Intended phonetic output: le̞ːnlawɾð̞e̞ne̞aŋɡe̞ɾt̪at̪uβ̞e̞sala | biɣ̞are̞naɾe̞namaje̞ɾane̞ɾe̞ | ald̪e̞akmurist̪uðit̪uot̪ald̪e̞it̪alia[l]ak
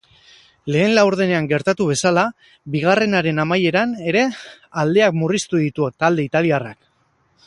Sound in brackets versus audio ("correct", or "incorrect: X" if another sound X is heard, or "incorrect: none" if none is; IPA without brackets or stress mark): incorrect: r